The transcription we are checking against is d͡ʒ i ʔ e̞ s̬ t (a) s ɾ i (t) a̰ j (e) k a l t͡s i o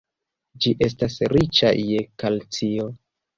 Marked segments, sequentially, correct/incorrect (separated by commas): correct, incorrect, correct